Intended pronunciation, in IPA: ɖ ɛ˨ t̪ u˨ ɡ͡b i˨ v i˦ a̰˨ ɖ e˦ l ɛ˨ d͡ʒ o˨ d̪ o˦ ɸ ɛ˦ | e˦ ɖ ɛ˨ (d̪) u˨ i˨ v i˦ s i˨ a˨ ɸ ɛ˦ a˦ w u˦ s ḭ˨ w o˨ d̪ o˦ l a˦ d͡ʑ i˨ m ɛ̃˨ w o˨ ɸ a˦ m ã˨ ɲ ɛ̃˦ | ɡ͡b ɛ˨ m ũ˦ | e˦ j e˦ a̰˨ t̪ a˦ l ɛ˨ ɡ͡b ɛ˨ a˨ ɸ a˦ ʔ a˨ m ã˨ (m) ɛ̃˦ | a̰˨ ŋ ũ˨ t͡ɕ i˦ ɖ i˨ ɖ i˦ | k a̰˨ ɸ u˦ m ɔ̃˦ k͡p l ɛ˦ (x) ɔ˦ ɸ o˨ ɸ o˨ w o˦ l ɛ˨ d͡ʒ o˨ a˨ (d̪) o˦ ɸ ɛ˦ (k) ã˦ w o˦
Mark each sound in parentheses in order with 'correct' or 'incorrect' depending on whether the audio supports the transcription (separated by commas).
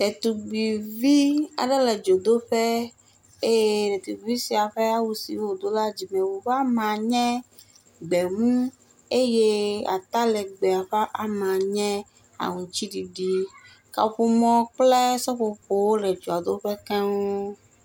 incorrect, incorrect, incorrect, correct, correct